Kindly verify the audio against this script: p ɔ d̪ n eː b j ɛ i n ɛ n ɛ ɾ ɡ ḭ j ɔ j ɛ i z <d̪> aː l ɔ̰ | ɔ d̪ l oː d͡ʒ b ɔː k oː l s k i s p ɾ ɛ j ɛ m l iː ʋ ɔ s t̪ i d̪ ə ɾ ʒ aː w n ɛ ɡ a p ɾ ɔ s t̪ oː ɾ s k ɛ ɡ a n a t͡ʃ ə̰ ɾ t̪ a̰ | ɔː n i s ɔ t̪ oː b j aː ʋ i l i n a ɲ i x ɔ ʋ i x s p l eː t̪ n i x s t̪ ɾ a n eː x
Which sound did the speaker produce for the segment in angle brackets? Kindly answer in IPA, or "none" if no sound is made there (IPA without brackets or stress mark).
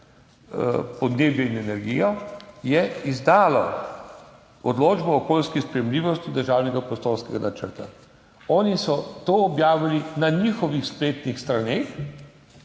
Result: d̪